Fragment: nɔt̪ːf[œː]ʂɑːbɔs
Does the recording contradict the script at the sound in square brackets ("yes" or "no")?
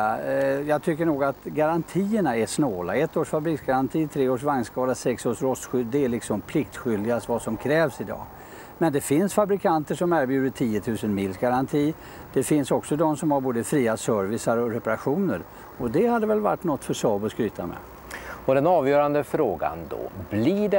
yes